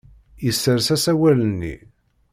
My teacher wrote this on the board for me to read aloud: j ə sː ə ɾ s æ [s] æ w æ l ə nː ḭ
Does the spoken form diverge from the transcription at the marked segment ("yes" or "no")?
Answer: no